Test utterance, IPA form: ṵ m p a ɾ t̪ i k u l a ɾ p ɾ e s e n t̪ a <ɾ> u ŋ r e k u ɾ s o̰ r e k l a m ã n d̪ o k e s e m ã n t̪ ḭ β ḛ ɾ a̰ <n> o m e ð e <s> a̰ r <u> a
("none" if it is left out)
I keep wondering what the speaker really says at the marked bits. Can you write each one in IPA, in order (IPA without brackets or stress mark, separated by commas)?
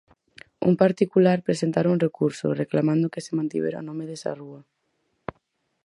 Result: ɾ, n, s, u